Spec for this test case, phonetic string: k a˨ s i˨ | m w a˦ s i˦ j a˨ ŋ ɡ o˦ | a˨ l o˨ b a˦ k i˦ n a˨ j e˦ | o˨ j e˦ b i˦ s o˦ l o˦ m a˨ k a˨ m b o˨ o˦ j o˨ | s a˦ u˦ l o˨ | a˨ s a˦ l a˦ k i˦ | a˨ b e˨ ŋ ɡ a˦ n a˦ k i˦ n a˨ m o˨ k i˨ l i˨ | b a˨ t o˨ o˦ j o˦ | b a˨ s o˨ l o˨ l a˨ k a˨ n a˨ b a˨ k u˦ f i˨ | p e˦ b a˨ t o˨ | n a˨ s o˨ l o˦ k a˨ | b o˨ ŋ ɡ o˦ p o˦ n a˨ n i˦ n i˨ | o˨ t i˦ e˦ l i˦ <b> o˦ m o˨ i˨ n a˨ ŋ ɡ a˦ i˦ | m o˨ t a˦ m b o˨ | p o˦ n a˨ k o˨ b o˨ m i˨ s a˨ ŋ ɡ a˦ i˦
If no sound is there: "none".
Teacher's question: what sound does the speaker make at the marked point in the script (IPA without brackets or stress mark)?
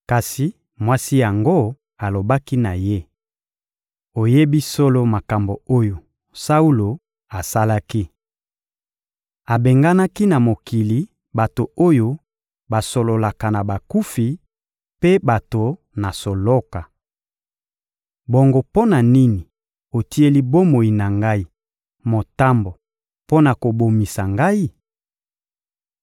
b